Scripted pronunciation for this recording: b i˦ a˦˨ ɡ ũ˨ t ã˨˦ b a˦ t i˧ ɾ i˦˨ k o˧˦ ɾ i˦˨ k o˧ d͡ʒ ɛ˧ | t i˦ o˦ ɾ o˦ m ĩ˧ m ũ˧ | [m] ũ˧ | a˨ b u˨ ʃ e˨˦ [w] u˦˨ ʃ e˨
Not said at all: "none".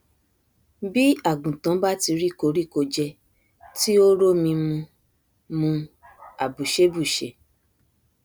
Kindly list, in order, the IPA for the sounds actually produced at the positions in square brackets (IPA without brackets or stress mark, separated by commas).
m, b